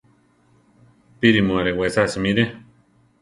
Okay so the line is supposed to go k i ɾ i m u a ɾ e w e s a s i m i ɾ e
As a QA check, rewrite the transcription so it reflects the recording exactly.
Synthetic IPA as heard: p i ɾ i m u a ɾ e w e s a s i m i ɾ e